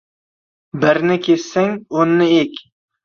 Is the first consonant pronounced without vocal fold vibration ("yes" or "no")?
no